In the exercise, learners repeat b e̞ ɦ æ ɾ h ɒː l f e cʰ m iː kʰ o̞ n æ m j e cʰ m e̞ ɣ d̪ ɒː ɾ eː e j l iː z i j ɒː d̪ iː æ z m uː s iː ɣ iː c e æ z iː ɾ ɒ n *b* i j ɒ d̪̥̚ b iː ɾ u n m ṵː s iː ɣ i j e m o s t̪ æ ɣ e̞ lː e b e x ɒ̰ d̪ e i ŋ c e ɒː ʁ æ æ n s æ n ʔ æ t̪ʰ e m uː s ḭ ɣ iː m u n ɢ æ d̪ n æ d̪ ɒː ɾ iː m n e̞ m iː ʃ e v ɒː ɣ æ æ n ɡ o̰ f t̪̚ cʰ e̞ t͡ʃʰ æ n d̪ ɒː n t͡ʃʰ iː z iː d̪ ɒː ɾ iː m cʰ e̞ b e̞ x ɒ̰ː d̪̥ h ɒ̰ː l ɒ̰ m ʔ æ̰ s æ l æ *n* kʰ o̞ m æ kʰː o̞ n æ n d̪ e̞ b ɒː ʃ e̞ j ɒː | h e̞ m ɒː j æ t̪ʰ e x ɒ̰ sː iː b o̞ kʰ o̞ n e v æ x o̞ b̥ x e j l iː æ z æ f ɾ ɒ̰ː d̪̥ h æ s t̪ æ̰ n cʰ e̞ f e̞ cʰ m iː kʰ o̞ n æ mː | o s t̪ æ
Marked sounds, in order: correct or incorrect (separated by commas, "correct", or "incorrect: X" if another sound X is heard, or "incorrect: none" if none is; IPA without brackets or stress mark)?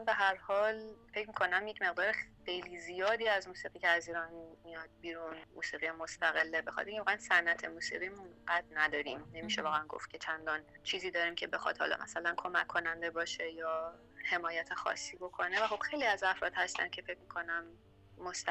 incorrect: m, correct